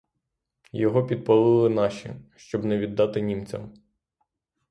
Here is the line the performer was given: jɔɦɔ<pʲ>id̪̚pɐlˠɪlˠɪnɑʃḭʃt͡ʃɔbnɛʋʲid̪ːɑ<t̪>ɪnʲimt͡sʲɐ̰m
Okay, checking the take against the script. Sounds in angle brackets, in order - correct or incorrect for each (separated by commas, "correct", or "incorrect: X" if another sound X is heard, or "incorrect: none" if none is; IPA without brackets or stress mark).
correct, correct